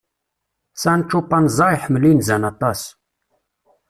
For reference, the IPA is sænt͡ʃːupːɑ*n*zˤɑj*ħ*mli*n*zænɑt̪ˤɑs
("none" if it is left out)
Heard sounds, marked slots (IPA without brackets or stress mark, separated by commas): n, ħ, n